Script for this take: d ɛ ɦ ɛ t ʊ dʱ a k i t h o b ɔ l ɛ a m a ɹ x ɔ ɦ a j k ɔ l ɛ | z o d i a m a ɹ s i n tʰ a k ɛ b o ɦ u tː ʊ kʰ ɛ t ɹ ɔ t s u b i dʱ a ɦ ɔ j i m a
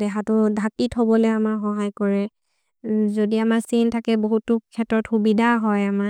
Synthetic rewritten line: d ɛ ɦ a t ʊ dʱ a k i t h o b ɔ l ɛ a m a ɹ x ɔ ɦ a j k ɔ ɹ ɛ | z o d i a m a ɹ s i n tʰ a k ɛ b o ɦ u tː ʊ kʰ ɛ t ɹ ɔ t x u b i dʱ a ɦ ɔ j a m a